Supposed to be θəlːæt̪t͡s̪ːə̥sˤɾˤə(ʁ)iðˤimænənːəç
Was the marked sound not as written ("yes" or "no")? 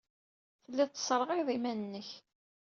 no